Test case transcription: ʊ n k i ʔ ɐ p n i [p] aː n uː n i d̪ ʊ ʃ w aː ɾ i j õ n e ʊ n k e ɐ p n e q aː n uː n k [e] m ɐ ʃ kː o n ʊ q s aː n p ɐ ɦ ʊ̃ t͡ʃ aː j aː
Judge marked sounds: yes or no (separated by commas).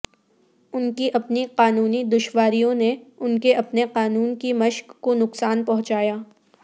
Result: no, no